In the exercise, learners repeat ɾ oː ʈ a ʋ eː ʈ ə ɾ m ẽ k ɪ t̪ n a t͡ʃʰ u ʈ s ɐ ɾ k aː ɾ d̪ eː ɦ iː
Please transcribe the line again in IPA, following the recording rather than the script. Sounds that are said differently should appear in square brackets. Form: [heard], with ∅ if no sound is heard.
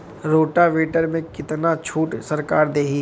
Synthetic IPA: ɾ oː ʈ a ʋ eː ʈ ə ɾ m ẽ k ɪ t̪ n a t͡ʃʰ [uː] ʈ s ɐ ɾ k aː ɾ d̪ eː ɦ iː